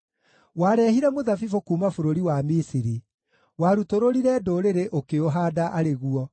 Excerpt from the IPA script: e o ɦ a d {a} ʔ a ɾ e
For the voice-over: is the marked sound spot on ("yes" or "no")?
yes